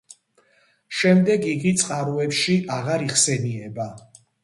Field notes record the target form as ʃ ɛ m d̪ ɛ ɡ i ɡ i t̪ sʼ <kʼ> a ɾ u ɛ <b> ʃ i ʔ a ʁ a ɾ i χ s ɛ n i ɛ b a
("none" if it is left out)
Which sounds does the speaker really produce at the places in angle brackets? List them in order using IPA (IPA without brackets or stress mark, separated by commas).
qʼ, p